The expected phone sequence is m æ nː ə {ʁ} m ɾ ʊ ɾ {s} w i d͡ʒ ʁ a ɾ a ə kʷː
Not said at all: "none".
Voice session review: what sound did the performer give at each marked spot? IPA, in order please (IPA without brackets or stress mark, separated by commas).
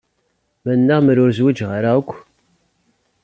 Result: ʁ, z